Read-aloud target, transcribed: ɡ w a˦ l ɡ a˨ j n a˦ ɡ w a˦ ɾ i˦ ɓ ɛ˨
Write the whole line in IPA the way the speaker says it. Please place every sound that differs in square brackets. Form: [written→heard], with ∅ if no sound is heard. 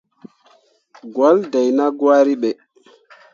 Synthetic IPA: ɡ w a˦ l [ɡ→d] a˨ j n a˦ ɡ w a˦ ɾ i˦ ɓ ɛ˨

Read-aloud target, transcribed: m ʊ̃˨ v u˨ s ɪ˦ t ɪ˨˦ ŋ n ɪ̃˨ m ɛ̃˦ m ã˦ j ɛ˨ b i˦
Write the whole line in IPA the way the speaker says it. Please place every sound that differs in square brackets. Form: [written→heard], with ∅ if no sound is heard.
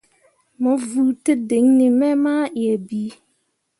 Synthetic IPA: m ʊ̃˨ v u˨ [s→t] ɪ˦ [t→d] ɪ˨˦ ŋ n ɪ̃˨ m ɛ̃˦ m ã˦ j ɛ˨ b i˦

